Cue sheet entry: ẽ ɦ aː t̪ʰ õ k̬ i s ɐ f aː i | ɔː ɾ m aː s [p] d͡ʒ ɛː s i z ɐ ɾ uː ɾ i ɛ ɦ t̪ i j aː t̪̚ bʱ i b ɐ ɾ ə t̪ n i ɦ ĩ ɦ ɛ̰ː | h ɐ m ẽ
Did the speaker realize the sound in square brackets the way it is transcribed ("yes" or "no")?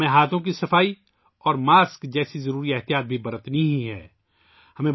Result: no